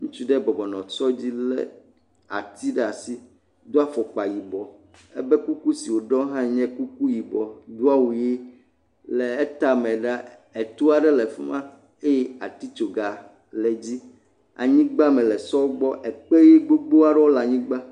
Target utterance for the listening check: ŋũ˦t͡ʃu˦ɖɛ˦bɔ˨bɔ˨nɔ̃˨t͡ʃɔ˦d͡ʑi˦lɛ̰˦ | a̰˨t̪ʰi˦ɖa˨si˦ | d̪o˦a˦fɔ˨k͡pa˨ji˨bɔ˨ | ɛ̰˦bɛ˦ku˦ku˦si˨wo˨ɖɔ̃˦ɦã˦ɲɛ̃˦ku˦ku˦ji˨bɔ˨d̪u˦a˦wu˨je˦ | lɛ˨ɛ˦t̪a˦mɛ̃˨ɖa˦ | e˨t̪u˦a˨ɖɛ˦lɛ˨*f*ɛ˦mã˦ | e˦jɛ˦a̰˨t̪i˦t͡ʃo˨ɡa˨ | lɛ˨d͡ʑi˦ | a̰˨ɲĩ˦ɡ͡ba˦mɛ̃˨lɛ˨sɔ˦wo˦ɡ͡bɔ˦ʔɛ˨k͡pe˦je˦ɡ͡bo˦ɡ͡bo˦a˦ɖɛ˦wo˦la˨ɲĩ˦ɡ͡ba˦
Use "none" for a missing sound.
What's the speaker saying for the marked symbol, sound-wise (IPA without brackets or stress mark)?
f